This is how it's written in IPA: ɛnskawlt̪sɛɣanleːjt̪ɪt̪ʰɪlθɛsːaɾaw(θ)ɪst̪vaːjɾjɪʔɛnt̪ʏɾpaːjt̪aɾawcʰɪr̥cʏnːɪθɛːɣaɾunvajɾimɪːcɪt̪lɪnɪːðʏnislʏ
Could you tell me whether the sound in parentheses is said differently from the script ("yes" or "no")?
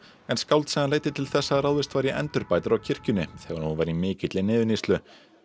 yes